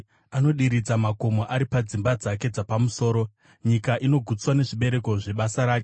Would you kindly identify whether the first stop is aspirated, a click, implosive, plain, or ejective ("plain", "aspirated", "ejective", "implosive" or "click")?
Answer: implosive